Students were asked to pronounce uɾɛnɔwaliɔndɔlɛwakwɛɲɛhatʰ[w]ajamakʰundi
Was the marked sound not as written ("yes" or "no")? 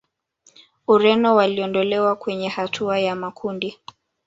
yes